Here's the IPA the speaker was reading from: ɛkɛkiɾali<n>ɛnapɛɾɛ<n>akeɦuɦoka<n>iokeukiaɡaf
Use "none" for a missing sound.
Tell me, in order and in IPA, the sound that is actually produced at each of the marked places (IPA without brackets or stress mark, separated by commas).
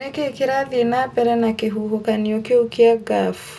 none, n, n